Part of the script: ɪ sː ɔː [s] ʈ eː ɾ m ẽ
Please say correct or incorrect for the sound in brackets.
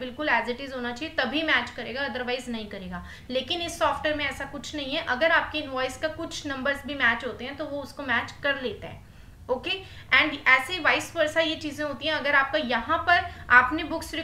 incorrect